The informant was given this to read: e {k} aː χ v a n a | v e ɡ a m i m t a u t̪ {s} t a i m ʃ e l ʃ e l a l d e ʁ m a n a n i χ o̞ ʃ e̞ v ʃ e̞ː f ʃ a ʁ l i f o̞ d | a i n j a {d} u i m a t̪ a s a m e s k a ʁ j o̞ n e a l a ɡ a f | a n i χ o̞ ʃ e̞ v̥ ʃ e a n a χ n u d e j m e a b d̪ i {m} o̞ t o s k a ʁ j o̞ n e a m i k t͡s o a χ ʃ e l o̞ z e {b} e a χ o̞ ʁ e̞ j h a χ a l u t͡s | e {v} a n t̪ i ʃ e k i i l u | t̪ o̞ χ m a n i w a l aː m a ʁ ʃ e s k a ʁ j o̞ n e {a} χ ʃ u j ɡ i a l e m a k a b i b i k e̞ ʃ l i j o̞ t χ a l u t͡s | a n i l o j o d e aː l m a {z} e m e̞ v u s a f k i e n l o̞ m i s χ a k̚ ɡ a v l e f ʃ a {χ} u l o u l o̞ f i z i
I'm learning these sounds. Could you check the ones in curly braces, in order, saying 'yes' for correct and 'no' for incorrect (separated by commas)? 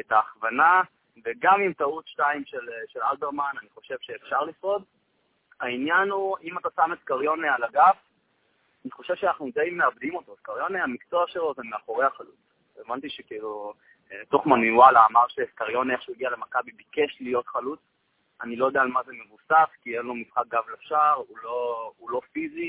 no, no, no, yes, no, yes, no, yes, no